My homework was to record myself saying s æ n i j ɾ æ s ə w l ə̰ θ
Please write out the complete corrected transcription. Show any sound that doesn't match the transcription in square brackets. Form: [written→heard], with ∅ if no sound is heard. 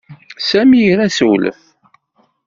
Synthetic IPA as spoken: s æ [n→m] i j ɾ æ s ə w l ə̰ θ